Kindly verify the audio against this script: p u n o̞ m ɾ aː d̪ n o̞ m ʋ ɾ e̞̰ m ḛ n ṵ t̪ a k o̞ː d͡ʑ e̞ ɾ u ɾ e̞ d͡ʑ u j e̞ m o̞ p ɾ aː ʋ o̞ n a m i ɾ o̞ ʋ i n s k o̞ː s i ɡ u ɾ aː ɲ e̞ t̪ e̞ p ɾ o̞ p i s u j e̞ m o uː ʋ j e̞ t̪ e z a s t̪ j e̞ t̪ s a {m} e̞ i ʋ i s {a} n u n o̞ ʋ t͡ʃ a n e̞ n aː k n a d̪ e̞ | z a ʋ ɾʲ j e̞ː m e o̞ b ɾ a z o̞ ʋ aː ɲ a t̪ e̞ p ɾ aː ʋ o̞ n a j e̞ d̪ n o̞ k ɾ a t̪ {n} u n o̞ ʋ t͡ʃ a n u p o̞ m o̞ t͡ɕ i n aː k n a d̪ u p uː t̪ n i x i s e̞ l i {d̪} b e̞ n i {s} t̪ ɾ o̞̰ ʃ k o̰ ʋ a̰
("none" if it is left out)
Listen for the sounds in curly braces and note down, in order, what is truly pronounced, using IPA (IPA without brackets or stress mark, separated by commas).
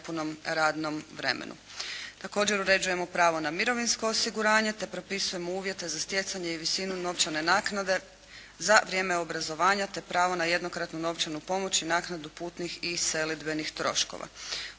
ɲ, i, n, d̪, x